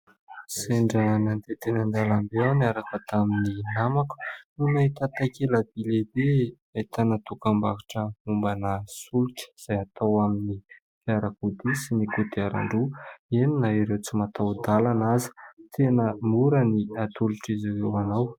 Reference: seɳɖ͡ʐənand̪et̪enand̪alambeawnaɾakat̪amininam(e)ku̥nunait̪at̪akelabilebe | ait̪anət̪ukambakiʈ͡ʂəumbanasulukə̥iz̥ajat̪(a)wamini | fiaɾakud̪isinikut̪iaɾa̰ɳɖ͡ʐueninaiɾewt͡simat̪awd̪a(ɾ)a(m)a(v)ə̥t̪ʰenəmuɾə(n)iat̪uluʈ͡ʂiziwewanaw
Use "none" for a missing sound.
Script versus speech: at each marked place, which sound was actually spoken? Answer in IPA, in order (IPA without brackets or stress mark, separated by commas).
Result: a, a, l, n, z, n